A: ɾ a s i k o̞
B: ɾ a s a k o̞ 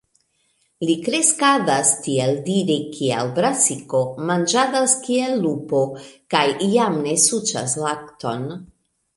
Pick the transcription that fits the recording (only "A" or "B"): A